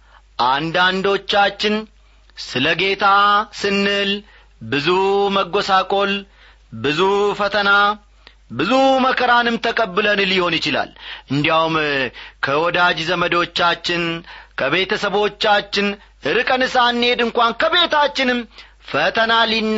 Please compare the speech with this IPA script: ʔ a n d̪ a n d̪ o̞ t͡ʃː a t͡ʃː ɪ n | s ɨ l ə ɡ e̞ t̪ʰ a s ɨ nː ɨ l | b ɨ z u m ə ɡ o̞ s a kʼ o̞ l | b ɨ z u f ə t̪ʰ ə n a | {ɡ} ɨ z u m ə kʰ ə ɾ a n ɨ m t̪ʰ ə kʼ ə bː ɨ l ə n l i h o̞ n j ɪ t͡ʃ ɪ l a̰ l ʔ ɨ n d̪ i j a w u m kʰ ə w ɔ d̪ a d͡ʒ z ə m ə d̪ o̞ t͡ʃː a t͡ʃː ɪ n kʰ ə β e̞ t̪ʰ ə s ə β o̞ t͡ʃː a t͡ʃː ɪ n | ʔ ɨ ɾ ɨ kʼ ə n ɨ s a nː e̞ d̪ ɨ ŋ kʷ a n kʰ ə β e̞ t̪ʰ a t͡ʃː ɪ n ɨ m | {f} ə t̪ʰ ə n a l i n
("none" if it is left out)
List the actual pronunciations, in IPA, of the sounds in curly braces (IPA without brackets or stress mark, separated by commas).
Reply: b, f